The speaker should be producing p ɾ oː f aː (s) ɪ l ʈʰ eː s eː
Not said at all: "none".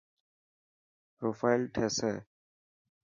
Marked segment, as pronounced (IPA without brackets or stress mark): none